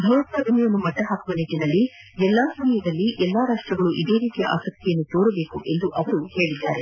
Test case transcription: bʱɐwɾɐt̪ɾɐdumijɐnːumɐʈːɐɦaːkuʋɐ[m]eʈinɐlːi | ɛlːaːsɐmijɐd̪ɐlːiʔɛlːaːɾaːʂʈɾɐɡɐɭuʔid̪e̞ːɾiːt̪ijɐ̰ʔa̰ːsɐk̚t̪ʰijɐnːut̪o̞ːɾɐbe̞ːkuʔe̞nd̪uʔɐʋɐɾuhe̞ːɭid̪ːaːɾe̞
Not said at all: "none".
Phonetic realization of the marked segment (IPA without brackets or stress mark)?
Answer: n